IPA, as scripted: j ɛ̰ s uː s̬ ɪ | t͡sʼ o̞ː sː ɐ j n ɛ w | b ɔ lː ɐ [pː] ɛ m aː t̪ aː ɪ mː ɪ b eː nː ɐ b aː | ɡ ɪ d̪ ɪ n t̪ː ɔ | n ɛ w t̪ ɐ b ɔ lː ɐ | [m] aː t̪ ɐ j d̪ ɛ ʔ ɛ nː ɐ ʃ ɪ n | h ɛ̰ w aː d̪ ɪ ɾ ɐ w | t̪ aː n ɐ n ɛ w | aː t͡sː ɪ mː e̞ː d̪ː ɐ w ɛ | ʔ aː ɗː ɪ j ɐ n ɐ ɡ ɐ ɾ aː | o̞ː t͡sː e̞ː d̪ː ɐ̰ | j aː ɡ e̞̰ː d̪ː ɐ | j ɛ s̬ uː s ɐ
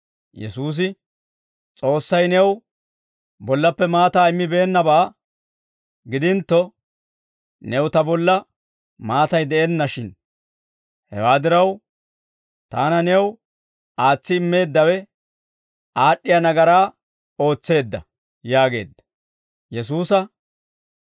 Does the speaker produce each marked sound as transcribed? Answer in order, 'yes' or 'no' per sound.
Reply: yes, yes

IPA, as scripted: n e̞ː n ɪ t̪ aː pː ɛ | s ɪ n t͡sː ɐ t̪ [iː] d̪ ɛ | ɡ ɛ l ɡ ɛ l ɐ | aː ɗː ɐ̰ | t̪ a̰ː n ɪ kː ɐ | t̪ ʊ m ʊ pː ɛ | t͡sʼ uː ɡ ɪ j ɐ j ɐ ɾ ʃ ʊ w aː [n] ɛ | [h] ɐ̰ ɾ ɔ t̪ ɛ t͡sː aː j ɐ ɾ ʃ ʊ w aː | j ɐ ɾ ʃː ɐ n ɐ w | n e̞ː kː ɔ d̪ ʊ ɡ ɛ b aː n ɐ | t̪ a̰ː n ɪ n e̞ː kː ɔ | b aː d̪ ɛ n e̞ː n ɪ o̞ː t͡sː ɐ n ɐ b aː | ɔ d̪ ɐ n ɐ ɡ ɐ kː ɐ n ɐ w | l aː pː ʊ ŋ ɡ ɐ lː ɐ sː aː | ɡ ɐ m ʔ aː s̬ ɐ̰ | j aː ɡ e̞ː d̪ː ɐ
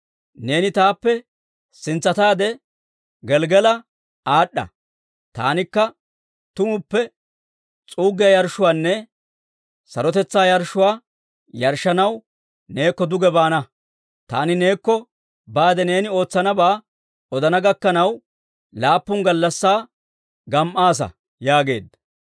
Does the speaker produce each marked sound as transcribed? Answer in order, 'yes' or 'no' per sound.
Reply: no, no, no

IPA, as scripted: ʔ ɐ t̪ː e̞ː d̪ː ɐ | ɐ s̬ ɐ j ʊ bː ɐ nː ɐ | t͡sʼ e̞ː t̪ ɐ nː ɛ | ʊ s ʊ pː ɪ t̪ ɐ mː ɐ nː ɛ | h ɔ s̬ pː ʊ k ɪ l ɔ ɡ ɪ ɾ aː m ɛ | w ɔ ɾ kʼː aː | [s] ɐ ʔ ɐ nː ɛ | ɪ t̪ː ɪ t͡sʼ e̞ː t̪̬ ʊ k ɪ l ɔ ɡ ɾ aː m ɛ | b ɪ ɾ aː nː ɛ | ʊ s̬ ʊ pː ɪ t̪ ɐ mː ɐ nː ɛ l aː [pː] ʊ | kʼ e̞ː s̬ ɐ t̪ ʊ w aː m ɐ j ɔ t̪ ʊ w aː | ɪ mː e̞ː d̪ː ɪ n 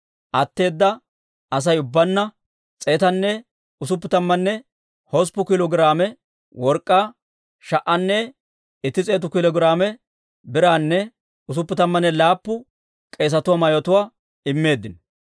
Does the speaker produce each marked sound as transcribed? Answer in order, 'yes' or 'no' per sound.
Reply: no, yes

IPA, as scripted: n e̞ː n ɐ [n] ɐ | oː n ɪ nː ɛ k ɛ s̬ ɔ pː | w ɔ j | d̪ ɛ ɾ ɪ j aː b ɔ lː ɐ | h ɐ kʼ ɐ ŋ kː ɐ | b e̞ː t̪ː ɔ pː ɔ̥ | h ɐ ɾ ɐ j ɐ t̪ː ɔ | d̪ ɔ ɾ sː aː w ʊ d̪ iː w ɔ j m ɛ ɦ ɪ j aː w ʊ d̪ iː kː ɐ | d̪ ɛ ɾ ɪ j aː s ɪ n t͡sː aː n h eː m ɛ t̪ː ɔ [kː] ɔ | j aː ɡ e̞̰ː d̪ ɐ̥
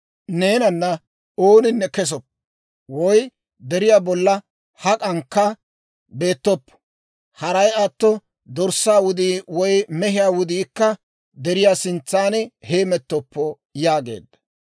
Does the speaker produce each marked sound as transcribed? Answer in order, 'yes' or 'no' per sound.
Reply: no, no

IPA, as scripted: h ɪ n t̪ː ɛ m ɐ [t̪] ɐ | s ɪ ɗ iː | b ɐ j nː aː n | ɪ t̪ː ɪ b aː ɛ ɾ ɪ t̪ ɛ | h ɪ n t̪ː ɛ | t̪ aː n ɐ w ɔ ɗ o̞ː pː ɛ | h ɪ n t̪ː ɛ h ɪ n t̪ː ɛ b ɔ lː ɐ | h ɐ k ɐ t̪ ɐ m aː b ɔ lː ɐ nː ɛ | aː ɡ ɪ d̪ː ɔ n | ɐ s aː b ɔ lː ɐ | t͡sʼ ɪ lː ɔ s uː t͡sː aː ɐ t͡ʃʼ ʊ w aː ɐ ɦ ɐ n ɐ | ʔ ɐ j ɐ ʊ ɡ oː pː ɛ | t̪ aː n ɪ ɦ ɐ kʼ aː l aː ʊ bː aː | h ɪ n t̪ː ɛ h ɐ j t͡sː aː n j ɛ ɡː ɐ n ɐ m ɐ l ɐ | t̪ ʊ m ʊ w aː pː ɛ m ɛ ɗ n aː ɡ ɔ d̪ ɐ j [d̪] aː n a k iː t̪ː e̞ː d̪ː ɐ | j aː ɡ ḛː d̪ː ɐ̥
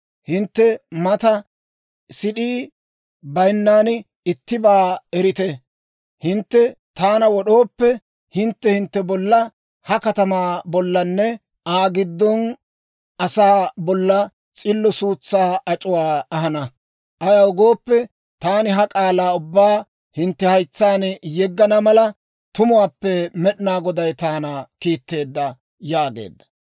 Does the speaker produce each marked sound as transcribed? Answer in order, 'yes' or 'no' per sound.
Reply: yes, no

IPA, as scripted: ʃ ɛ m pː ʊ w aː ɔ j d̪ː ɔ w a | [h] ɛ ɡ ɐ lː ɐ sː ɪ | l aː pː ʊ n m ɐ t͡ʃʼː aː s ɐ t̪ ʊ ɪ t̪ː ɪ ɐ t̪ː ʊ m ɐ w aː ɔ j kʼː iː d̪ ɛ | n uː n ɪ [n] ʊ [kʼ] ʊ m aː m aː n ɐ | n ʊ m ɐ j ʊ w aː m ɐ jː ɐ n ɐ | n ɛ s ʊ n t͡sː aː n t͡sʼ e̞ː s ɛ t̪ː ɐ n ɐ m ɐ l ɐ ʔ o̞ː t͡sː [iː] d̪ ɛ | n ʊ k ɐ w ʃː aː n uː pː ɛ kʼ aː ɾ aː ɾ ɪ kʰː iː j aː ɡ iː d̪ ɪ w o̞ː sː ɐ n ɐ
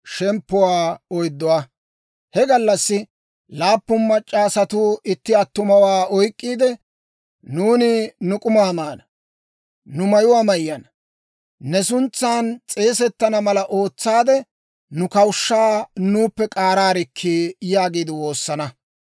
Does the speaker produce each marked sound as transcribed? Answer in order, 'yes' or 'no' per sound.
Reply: yes, yes, yes, no

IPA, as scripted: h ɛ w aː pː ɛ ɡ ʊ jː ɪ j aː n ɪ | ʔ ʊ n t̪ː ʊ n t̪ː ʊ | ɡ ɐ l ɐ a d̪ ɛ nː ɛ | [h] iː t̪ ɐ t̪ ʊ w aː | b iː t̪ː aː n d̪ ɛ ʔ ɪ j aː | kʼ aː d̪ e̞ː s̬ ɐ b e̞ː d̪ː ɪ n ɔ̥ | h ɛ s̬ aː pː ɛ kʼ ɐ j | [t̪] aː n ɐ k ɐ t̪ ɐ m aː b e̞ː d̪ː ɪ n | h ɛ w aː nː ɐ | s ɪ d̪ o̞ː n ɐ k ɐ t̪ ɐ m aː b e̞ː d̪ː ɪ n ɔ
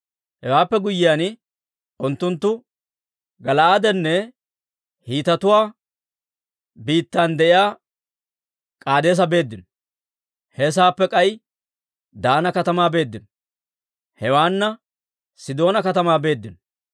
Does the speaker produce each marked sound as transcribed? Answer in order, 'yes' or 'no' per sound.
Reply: yes, no

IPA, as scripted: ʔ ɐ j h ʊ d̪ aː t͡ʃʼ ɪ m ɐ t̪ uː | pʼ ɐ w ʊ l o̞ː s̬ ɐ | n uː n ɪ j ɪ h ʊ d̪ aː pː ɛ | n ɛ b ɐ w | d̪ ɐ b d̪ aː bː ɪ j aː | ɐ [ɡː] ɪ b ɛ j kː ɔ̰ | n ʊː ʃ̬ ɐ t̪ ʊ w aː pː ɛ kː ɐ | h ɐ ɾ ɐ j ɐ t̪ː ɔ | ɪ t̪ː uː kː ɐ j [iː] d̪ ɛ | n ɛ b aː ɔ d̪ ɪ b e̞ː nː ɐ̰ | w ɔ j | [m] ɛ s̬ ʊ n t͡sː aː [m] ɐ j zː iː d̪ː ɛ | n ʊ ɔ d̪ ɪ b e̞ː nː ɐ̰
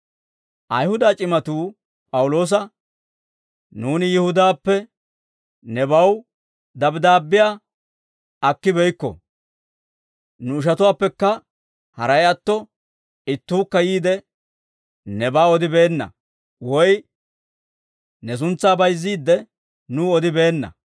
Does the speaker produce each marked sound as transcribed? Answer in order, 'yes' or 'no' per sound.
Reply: no, yes, no, no

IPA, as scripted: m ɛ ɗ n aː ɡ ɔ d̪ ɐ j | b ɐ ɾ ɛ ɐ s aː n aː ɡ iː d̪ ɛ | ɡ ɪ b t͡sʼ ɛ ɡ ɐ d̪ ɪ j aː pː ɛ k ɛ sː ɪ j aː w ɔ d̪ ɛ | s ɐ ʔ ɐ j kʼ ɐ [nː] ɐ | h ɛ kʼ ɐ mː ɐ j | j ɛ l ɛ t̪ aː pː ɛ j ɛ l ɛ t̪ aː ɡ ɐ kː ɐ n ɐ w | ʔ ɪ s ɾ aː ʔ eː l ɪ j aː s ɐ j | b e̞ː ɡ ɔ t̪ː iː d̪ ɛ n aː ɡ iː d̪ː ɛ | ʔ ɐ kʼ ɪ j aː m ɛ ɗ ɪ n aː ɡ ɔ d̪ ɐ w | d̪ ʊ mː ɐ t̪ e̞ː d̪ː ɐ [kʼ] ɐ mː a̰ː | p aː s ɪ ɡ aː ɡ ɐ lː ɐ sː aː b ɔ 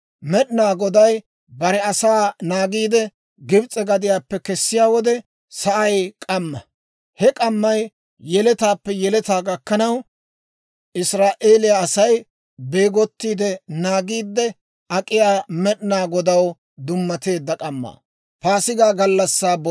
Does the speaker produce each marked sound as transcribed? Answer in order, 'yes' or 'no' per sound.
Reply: no, yes

